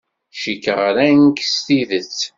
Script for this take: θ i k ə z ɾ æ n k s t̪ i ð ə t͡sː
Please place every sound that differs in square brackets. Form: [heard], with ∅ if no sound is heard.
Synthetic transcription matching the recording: [ʃ] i k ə [ʁ] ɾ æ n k s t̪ i ð ə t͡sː